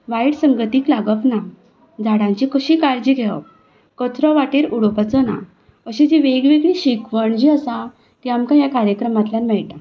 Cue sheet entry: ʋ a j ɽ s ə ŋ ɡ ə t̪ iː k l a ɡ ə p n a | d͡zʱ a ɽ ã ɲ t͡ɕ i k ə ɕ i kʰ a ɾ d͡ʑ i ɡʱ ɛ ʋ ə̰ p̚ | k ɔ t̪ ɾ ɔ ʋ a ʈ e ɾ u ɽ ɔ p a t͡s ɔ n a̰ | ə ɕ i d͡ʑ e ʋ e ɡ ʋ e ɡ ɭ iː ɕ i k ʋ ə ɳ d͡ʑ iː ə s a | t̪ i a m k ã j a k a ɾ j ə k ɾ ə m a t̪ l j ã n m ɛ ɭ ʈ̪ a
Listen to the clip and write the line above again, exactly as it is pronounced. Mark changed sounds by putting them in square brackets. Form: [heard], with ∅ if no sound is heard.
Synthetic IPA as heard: ʋ a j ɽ s ə ŋ ɡ ə t̪ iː k l a ɡ ə p n a | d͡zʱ a ɽ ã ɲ t͡ɕ i k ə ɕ i [k] a ɾ d͡ʑ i ɡʱ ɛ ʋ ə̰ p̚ | k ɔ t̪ ɾ ɔ ʋ a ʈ e ɾ u ɽ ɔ p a t͡s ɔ n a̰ | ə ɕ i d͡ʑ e ʋ e ɡ ʋ e ɡ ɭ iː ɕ i k ʋ ə ɳ d͡ʑ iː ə s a | t̪ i a m k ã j a k a ɾ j ə k ɾ ə m a t̪ l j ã n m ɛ ɭ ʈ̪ a